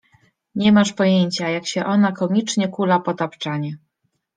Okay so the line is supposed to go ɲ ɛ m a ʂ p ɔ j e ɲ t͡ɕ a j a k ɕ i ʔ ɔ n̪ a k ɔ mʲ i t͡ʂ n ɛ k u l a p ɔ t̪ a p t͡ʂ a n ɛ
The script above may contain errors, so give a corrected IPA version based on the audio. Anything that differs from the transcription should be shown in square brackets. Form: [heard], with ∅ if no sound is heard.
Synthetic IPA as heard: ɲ ɛ m a ʂ p ɔ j e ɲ t͡ɕ a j a k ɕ [ɛ] ʔ ɔ n̪ a k ɔ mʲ i t͡ʂ [ɲ] ɛ k u l a p ɔ t̪ a p t͡ʂ a [ɲ] ɛ